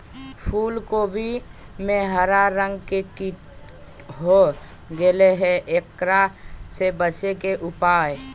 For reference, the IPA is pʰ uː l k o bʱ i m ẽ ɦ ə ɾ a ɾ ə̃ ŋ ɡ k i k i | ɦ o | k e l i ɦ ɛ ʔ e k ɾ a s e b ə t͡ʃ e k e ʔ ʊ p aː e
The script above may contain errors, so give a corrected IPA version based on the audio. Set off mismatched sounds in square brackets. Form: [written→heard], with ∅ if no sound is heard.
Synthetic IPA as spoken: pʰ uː l k o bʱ i m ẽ ɦ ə ɾ a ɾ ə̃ ŋ ɡ k [i→e] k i | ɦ o | [k→ɡ] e l [i→e] ɦ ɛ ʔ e k ɾ a s e b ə t͡ʃ e k e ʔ ʊ p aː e

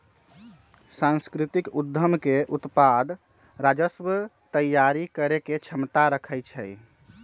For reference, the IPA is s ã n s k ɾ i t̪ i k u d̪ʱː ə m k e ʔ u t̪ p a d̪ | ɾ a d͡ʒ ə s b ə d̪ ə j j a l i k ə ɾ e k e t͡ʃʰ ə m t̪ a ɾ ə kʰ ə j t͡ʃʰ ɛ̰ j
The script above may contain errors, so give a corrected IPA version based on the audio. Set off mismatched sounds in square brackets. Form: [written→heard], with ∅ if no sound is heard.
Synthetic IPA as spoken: s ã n s k ɾ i t̪ i k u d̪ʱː ə m k e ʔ u t̪ p a d̪ | ɾ a d͡ʒ ə s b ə [d̪→t̪] ə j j a [l→ɾ] i k ə ɾ e k e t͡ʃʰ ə m t̪ a ɾ ə kʰ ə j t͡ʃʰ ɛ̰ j

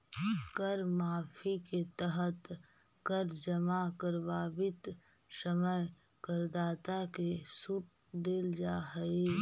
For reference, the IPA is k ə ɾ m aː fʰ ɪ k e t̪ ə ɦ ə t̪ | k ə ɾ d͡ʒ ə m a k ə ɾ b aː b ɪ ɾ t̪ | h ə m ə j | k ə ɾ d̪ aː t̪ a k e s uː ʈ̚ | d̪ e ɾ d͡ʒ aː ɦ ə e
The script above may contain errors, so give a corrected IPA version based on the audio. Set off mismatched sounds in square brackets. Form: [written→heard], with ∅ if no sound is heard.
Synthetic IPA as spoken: k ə ɾ m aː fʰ [ɪ→i] k e t̪ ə ɦ ə t̪ | k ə ɾ d͡ʒ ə m a k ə ɾ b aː b ɪ [ɾ→∅] t̪ | [h→s] ə m ə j | k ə ɾ d̪ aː t̪ a k e s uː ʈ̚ | d̪ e [ɾ→l] d͡ʒ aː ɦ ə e

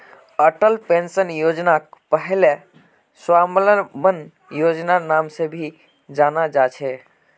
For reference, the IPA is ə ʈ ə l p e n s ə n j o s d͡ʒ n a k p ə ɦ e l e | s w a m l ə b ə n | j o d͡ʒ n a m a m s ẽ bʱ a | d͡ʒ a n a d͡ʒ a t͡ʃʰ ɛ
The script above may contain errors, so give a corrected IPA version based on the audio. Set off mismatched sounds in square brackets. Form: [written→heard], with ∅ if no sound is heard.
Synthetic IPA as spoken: ə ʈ ə l p e n s ə n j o [s→∅] d͡ʒ n a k p ə ɦ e l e | s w a m l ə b ə n | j o d͡ʒ n a [m→n] a m s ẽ bʱ [a→i] | d͡ʒ a n a d͡ʒ a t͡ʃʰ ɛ

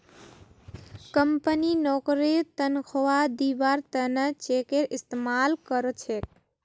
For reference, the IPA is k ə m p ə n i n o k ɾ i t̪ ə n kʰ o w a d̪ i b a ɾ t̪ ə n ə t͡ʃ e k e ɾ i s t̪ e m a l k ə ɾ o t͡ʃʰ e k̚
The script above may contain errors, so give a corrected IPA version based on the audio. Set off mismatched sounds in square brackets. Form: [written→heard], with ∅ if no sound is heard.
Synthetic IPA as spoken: k ə m p ə n i n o k ɾ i t̪ ə n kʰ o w a d̪ i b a ɾ t̪ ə n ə t͡ʃ e k e ɾ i s t̪ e m a l k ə ɾ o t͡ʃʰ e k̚

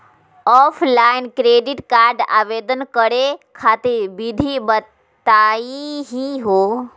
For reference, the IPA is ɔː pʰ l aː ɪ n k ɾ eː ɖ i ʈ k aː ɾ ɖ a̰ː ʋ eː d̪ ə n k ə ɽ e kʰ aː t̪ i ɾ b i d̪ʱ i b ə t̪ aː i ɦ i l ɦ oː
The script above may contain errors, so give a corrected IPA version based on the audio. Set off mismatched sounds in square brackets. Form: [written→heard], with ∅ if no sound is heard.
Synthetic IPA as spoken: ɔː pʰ l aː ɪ n k ɾ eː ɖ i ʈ k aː ɾ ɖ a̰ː ʋ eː d̪ ə n k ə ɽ e kʰ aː t̪ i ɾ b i d̪ʱ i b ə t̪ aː i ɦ i [l→∅] ɦ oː

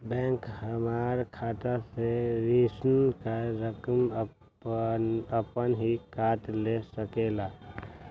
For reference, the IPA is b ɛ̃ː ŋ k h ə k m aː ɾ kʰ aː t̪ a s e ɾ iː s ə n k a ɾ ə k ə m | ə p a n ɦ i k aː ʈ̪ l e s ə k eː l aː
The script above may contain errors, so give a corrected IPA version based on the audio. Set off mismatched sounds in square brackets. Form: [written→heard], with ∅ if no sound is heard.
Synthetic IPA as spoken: b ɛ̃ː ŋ k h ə [k→∅] m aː ɾ kʰ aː t̪ a s e ɾ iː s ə n k a ɾ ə k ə m | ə p [a→ə] n ɦ i k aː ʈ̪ l e s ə k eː l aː

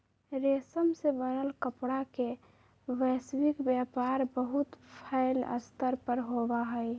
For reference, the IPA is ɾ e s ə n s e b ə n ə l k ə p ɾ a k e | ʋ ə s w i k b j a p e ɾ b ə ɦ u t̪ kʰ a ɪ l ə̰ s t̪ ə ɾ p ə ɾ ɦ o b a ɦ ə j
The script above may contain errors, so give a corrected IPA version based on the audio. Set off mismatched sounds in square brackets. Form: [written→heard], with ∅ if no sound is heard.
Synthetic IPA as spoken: ɾ e s ə [n→m] s e b ə n ə l k ə p [ɾ→ɽ] a k e | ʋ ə s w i k b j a p [e→a] ɾ b ə ɦ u t̪ [kʰ→pʰ] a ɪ l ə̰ s t̪ ə ɾ p ə ɾ ɦ o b a ɦ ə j

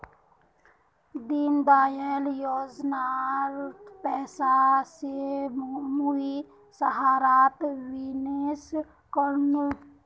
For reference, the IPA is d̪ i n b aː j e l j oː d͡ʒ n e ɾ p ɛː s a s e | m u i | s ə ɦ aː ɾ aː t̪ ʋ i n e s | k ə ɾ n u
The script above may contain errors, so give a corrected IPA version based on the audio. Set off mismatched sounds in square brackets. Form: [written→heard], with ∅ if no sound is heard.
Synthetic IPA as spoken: d̪ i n b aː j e l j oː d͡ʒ n [e→a] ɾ p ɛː s a s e | m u i | s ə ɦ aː ɾ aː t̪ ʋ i n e s | k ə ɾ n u

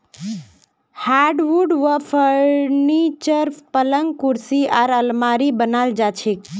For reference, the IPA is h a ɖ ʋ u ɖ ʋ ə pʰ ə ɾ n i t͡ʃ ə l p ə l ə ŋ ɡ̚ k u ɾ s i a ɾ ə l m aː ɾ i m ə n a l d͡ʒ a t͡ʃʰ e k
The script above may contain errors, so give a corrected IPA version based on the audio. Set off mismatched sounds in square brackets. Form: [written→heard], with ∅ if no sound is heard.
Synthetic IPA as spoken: h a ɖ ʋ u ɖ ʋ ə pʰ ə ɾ n i t͡ʃ ə [l→ɾ] p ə l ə ŋ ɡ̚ k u ɾ s i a ɾ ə l m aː ɾ i [m→b] ə n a l d͡ʒ a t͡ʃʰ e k

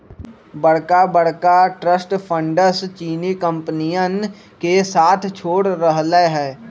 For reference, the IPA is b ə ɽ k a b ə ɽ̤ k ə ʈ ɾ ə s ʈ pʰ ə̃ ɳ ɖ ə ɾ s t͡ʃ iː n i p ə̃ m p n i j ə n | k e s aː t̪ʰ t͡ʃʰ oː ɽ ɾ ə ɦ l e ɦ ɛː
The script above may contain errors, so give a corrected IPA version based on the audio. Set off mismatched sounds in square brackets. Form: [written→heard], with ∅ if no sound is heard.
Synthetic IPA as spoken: b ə ɽ k a b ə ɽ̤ k [ə→a] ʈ ɾ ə s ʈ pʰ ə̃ ɳ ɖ ə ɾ s t͡ʃ iː n i [p→k] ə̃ m p n i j ə n | k e s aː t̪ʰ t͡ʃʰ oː ɽ ɾ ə ɦ l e ɦ ɛː

